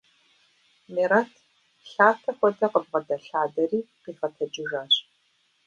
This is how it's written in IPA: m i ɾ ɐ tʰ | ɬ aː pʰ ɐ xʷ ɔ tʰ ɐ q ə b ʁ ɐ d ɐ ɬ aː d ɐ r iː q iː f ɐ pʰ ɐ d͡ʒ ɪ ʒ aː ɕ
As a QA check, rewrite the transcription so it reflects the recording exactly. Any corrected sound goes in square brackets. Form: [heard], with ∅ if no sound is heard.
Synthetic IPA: m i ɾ ɐ tʰ | ɬ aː [tʰ] ɐ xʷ ɔ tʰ ɐ q ə b ʁ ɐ d ɐ ɬ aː d ɐ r iː q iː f ɐ [tʰ] ɐ d͡ʒ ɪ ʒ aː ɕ